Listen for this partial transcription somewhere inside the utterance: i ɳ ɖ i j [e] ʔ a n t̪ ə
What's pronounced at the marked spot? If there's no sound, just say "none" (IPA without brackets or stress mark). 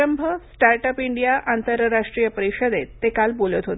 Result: a